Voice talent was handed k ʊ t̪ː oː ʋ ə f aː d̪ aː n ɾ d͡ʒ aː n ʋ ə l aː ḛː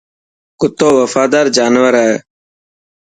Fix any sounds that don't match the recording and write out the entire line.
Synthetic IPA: k ʊ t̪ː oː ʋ ə f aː d̪ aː ɾ d͡ʒ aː n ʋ ə ɾ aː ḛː

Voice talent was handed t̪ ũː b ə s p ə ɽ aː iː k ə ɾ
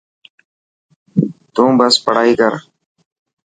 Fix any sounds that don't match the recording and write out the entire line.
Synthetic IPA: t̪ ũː b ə s p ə ɽ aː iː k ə ɾ

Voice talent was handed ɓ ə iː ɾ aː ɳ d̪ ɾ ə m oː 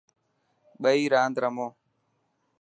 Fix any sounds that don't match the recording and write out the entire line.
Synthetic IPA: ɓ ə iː ɾ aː n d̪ ɾ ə m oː

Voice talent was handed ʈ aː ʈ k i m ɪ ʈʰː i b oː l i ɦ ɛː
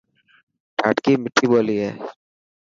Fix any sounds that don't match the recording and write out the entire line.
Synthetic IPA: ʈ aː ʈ k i m ɪ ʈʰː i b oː l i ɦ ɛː

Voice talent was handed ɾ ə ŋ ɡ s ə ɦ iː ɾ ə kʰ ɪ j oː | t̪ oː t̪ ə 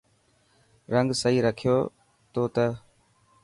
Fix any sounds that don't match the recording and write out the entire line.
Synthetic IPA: ɾ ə ŋ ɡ s ə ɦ iː ɾ ə kʰ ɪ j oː | t̪ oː t̪ ə

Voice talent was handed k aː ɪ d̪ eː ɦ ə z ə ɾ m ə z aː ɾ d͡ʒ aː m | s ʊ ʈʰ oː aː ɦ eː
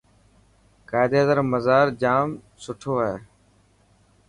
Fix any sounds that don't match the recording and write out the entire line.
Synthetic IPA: k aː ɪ d̪ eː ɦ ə z ə ɾ m ə z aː ɾ d͡ʒ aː m | s ʊ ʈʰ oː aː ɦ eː

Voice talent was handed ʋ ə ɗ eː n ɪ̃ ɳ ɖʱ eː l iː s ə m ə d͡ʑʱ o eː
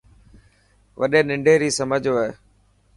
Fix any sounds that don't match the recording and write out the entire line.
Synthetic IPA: ʋ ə ɗ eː n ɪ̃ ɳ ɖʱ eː ɾ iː s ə m ə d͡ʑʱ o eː

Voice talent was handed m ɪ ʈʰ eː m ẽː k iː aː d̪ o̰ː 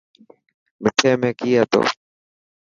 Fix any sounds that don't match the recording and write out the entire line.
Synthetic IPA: m ɪ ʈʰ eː m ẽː k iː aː t̪ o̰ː

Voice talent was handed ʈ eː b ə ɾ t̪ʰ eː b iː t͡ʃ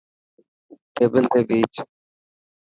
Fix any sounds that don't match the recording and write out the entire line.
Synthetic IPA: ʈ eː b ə l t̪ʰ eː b iː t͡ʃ

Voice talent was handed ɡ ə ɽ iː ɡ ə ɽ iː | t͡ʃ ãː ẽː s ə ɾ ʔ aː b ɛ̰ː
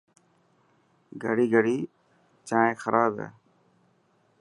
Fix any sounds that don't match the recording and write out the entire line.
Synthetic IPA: ɡ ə ɽ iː ɡ ə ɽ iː | t͡ʃ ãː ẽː x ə ɾ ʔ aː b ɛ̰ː

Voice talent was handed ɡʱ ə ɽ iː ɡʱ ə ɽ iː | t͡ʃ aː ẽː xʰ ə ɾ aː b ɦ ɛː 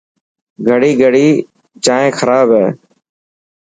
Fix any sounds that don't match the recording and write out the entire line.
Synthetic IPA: ɡʱ ə ɽ iː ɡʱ ə ɽ iː | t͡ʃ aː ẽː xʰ ə ɾ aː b ɦ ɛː

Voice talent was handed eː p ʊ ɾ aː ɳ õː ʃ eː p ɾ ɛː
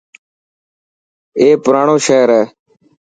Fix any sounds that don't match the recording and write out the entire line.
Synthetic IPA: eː p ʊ ɾ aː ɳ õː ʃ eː ɾ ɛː

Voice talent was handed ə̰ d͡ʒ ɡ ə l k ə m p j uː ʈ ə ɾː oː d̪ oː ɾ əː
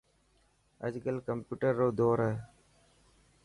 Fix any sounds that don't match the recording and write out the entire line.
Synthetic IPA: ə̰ d͡ʒ ɡ ə l k ə m p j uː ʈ ə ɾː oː d̪ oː ɾ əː

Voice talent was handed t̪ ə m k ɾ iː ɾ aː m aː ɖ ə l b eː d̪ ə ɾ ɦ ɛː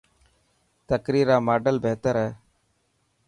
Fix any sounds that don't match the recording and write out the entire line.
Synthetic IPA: t̪ ə k ɾ iː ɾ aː m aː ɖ ə l b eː t̪ ə ɾ ɦ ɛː

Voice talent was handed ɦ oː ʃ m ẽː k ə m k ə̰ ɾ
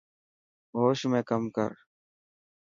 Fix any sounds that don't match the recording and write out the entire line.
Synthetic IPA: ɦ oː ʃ m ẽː k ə m k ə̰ ɾ

